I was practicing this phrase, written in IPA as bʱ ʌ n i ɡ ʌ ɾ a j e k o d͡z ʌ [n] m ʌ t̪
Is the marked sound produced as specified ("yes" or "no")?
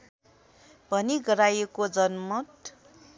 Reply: yes